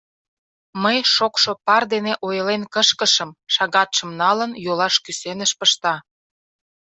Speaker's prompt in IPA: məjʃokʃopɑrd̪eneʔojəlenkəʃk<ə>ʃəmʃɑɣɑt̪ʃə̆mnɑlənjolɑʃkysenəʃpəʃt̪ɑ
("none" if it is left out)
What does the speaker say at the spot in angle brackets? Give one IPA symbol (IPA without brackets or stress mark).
ə